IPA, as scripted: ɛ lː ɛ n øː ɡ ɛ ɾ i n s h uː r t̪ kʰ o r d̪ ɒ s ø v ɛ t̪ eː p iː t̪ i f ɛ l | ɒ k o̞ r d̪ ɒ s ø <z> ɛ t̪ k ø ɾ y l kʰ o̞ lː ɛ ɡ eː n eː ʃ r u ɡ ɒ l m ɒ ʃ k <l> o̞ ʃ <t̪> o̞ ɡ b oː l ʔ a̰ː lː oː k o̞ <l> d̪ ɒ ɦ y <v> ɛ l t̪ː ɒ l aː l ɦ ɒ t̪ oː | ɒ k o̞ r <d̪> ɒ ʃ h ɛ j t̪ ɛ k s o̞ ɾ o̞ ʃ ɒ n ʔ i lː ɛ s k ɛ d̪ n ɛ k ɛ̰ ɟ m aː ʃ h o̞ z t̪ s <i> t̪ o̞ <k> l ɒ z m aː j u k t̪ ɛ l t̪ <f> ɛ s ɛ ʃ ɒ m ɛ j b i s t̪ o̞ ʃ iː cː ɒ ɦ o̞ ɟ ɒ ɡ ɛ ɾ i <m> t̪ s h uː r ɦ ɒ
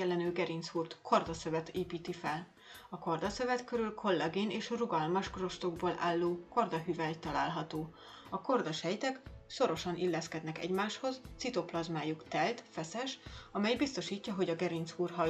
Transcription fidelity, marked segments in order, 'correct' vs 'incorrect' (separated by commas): incorrect, incorrect, correct, incorrect, correct, correct, correct, incorrect, correct, incorrect